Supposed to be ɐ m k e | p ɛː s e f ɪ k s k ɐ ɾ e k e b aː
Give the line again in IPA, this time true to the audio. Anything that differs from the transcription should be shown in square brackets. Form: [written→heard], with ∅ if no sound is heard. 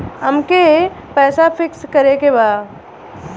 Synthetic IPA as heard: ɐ m k e | p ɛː s [e→a] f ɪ k s k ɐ ɾ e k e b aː